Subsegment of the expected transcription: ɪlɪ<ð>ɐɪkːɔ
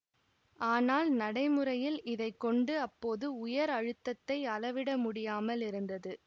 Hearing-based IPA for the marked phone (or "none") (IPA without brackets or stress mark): ð